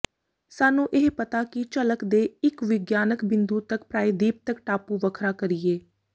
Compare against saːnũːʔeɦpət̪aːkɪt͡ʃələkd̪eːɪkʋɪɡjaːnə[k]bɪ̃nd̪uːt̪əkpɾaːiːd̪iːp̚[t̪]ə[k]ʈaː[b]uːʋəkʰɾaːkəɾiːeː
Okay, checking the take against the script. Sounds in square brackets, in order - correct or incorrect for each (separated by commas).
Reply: correct, correct, correct, incorrect